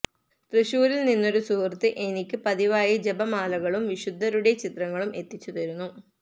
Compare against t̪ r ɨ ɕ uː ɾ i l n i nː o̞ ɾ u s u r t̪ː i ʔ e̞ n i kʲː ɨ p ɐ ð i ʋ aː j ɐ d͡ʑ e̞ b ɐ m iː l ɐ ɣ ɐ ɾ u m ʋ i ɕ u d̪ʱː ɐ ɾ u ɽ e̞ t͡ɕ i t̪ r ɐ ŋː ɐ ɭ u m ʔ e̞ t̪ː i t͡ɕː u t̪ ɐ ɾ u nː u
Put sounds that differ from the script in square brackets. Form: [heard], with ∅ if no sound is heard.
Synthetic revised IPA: t̪ r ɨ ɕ uː ɾ i l n i nː o̞ ɾ u s u r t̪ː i ʔ e̞ n i kʲː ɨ p ɐ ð i ʋ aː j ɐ d͡ʑ e̞ b ɐ m [aː] l ɐ ɣ ɐ [ɭ] u m ʋ i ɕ u d̪ʱː ɐ ɾ u ɽ e̞ t͡ɕ i t̪ r ɐ ŋː ɐ ɭ u m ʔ e̞ t̪ː i t͡ɕː u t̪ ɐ ɾ u nː u